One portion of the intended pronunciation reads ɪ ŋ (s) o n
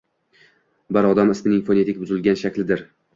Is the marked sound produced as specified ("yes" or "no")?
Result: no